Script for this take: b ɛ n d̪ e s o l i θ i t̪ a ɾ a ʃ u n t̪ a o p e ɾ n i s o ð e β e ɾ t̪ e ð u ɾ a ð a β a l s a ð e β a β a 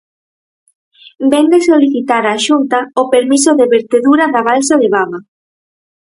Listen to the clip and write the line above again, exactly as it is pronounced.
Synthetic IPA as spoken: b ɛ n d̪ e s o l i θ i t̪ a ɾ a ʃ u n t̪ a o p e ɾ m i s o ð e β e ɾ t̪ e ð u ɾ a ð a β a l s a ð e β a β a